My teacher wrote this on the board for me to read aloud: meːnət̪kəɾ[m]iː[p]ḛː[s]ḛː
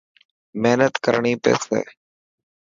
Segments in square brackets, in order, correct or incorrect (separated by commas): incorrect, correct, correct